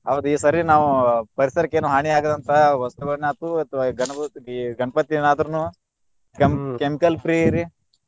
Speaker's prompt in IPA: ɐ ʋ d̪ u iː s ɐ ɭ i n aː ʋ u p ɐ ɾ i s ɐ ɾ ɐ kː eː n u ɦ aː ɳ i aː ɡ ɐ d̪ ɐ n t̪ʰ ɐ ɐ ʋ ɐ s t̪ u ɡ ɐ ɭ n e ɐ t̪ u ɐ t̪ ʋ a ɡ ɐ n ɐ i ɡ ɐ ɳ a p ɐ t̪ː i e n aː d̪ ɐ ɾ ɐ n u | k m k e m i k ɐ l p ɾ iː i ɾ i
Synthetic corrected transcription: ɐ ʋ d̪ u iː s ɐ ɾ i n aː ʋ u p ɐ ɾ i s ɐ ɾ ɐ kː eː n u ɦ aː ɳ i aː ɡ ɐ d̪ ɐ n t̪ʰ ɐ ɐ ʋ ɐ s t̪ u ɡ ɐ ɭ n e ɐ t̪ u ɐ t̪ ʋ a ɡ ɐ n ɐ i ɡ ɐ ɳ ɐ p ɐ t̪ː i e n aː d̪ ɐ ɾ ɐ n u | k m k e m i k ɐ l p ɾ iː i ɾ i